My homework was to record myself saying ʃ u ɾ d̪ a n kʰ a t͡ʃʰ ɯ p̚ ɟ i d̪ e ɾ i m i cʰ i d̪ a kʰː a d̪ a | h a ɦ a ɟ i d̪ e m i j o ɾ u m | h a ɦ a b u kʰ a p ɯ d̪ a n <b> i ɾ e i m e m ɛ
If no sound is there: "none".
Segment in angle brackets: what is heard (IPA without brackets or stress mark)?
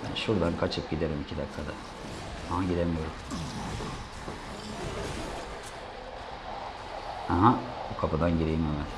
ɟ